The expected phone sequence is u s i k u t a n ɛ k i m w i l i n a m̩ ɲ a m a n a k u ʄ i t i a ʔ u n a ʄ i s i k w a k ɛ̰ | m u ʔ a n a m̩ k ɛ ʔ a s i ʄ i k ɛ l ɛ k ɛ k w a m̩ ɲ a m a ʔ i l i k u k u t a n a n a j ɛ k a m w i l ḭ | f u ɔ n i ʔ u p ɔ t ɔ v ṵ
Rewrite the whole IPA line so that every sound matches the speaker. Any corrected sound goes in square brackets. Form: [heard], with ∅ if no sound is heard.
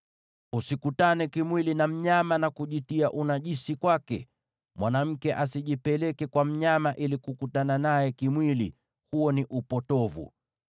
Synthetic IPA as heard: u s i k u t a n ɛ k i m w i l i n a m̩ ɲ a m a n a k u ʄ i t i a ʔ u n a ʄ i s i k w a k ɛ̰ | m [w] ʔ a n a m̩ k ɛ ʔ a s i ʄ i [p] ɛ l ɛ k ɛ k w a m̩ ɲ a m a ʔ i l i k u k u t a n a n a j ɛ k [i] m w i l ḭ | [h] u ɔ n i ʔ u p ɔ t ɔ v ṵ